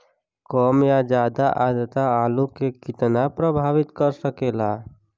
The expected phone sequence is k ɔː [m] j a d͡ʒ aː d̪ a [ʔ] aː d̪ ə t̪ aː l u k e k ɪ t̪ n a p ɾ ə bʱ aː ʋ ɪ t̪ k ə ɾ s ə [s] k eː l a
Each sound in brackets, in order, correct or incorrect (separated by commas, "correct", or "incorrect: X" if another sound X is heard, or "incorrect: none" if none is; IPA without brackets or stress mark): correct, correct, incorrect: none